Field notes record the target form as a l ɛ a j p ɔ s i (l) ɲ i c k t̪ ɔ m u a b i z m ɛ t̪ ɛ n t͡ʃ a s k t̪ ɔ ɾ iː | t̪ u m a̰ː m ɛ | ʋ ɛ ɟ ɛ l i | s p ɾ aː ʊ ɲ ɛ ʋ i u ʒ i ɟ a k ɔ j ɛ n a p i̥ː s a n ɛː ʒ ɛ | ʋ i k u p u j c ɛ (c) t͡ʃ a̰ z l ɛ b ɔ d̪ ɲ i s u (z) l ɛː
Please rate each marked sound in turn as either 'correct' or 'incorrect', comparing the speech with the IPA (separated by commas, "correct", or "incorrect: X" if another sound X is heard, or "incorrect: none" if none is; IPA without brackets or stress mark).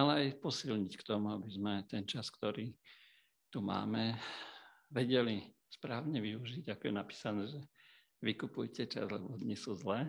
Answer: correct, incorrect: none, correct